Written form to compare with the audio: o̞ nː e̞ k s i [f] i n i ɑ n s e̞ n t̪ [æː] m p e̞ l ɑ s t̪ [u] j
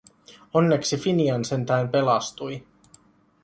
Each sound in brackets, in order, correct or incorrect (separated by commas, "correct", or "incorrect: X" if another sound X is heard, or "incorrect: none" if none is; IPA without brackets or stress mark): correct, correct, correct